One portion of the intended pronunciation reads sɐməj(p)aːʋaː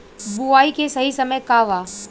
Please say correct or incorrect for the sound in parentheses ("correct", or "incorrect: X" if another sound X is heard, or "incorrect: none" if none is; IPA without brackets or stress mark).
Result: incorrect: k